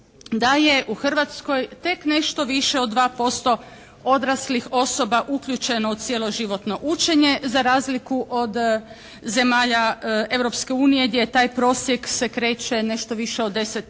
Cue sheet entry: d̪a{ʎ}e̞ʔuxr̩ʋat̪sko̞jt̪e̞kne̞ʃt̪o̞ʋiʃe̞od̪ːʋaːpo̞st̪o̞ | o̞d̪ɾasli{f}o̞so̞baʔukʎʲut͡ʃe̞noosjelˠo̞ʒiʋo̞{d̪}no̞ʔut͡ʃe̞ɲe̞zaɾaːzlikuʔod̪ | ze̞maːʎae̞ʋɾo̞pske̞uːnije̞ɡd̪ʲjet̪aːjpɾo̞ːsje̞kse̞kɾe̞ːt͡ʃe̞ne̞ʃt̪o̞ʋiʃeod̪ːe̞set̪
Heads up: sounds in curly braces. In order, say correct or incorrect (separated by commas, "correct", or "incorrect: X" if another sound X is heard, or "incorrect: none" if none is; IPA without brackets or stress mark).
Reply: incorrect: j, incorrect: x, incorrect: t̪